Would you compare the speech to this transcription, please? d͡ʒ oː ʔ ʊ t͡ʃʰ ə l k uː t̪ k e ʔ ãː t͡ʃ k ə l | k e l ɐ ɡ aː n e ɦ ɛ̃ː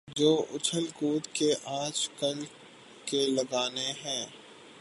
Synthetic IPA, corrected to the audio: d͡ʒ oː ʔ ʊ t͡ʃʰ ə l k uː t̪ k e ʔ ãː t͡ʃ k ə l | k e l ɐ ɡ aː n e ɦ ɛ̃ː

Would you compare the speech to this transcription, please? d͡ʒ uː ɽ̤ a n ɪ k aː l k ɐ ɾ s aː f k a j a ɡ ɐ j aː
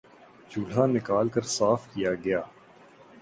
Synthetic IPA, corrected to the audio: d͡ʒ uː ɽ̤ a n ɪ k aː l k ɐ ɾ s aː f k i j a ɡ ɐ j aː

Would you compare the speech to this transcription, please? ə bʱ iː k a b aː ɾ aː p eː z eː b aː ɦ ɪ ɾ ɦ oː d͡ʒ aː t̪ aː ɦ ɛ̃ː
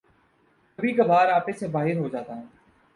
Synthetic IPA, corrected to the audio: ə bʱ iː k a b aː ɾ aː p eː s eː b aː ɦ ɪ ɾ ɦ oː d͡ʒ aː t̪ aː ɦ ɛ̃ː

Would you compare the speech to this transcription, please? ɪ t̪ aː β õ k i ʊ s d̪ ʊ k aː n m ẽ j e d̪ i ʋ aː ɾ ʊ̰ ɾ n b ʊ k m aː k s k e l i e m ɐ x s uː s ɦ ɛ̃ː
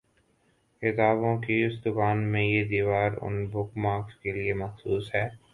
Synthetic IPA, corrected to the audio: ɪ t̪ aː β õ k i ʊ s d̪ ʊ k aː n m ẽ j e d̪ iː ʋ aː ɾ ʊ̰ n b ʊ k m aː k s k e l i e m ɐ x s uː s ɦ ɛː

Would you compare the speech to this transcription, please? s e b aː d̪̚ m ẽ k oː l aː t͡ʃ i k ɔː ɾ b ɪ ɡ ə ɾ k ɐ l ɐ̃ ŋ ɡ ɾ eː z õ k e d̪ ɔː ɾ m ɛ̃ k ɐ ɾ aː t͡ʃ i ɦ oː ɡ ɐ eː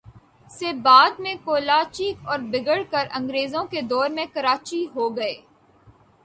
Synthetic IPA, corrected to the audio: s e b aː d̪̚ m ẽ k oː l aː t͡ʃ i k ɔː ɾ b ɪ ɡ ə ɽ k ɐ ɾ ɐ̃ ŋ ɡ ɾ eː z õ k e d̪ ɔː ɾ m ẽ k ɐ ɾ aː t͡ʃ i ɦ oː ɡ ɐ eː

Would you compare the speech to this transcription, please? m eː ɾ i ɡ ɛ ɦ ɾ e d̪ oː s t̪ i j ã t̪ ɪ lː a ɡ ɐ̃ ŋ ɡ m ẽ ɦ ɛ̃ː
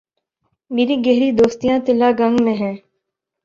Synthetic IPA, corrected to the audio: m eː ɾ i ɡ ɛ ɦ ɾ i d̪ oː s t̪ i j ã t̪ ɪ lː a ɡ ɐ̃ ŋ ɡ m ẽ ɦ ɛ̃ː

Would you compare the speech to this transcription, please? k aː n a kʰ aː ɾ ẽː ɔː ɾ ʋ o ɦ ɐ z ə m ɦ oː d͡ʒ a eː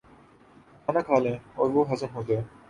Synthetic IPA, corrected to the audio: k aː n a kʰ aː l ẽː ɔː ɾ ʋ o ɦ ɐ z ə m ɦ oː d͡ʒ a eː

